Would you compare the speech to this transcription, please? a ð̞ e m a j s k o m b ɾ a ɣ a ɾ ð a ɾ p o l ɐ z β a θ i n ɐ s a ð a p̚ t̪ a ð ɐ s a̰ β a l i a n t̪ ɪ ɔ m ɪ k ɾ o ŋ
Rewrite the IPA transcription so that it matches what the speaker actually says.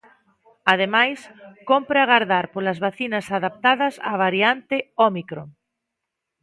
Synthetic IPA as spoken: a ð̞ e m a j s k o m p ɾ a ɣ a ɾ ð a ɾ p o l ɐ z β a θ i n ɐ s a ð a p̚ t̪ a ð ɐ s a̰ β a ɾ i a n t̪ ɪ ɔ m i k ɾ o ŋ